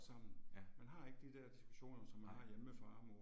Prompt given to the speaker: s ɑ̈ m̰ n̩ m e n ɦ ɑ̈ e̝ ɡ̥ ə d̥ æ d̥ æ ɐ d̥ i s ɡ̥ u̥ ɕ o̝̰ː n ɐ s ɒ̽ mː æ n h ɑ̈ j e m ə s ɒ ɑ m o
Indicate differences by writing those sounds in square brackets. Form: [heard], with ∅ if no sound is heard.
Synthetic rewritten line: s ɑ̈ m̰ n̩ m [æ] n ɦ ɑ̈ e̝ ɡ̥ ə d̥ [i] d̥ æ ɐ d̥ i s ɡ̥ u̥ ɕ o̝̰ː n ɐ s ɒ̽ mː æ n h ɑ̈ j e m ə [f] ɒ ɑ m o